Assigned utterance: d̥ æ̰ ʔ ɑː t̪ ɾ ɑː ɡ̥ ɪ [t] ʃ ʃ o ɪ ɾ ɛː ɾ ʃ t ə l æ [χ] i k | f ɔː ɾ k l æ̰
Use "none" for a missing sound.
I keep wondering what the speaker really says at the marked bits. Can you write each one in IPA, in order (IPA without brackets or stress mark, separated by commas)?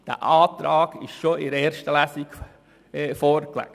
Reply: none, s